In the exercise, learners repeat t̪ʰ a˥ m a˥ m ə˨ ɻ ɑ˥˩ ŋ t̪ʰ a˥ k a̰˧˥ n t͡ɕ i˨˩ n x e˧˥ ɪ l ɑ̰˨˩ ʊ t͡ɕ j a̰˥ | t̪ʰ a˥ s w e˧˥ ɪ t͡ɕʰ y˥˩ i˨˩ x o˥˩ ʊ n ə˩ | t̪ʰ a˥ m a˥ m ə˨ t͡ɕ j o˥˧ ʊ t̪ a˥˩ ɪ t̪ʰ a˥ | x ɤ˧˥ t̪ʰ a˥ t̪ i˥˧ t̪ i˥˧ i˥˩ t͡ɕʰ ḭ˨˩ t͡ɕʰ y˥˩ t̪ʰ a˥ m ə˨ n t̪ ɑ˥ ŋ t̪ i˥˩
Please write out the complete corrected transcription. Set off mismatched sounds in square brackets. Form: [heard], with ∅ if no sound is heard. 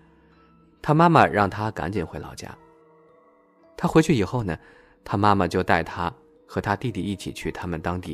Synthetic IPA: t̪ʰ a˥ m a˥ m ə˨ ɻ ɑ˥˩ ŋ t̪ʰ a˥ k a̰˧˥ n t͡ɕ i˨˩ n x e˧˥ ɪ l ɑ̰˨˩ ʊ t͡ɕ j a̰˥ | t̪ʰ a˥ [x] w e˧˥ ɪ t͡ɕʰ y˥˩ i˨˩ x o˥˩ ʊ n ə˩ | t̪ʰ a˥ m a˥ m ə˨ t͡ɕ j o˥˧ ʊ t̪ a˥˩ ɪ t̪ʰ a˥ | x ɤ˧˥ t̪ʰ a˥ t̪ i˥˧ t̪ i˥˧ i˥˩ t͡ɕʰ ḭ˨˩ t͡ɕʰ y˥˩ t̪ʰ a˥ m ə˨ n t̪ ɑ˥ ŋ t̪ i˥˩